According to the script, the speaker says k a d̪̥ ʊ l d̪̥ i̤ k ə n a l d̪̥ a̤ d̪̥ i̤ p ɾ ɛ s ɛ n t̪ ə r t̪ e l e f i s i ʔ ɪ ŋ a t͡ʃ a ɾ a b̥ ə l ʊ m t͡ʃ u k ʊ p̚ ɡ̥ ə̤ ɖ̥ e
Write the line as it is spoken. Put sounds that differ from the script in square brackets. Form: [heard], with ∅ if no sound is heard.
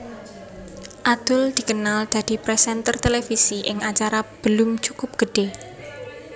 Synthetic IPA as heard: [ʔ] a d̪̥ ʊ l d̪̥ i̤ k ə n a l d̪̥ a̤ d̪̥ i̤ p ɾ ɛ s ɛ n t̪ ə r t̪ e l e f i s i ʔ ɪ ŋ a t͡ʃ a ɾ a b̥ ə l ʊ m t͡ʃ u k ʊ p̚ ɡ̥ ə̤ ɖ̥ e